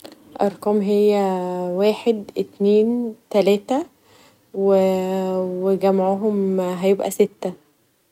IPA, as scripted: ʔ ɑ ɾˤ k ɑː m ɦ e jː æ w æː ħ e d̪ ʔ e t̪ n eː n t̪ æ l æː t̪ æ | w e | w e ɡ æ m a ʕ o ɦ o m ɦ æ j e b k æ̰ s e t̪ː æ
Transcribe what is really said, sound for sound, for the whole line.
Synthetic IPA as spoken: ʔ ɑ ɾˤ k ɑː m ɦ e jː æ w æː ħ e d̪ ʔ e t̪ n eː n t̪ æ l æː t̪ æ | w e | w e ɡ æ m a ʕ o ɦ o m ɦ æ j e b ʔ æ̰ s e t̪ː æ